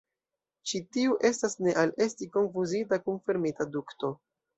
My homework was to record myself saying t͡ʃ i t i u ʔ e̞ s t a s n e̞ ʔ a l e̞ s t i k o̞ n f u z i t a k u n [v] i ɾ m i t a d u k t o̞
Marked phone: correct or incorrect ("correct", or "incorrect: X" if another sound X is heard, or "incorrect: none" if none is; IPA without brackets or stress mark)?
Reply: incorrect: f